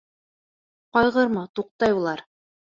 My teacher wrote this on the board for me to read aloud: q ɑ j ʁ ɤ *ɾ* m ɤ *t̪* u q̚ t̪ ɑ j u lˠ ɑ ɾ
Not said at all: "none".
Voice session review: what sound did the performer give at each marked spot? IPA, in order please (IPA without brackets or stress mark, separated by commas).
ɾ, t̪